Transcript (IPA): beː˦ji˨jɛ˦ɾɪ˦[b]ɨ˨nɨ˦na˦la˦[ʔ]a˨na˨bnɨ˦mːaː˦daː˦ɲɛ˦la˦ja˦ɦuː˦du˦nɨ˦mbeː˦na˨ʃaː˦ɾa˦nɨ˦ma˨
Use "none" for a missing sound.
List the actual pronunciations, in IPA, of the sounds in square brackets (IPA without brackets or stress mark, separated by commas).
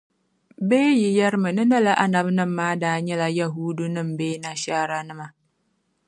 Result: m, ʔ